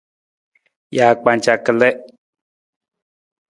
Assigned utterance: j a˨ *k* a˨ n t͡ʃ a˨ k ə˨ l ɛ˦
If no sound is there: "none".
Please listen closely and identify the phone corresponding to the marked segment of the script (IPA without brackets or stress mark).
k͡p